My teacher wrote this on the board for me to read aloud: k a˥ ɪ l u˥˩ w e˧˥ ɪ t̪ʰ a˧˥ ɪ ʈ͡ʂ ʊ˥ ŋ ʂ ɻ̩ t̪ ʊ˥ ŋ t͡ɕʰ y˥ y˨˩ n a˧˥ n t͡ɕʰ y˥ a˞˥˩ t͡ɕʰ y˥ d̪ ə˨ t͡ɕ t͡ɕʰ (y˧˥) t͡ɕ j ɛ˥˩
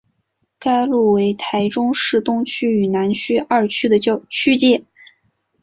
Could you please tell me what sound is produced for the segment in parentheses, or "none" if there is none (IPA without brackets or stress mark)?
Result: y˥